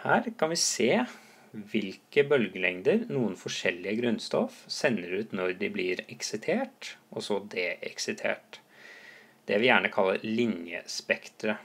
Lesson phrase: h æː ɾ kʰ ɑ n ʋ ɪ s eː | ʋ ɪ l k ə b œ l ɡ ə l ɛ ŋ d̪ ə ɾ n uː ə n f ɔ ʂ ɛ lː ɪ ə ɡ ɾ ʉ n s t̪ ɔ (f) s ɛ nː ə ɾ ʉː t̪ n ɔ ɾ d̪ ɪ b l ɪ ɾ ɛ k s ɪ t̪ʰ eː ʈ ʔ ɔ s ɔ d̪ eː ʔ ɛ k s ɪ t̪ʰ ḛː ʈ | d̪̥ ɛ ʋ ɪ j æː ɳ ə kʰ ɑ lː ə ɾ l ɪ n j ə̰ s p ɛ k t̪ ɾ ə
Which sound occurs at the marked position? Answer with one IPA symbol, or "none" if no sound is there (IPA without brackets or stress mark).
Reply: f